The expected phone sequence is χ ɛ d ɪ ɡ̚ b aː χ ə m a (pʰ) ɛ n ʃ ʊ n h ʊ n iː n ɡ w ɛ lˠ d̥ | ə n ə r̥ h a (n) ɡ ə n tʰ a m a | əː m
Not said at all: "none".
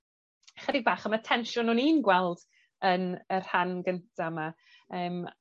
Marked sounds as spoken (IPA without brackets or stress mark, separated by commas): tʰ, n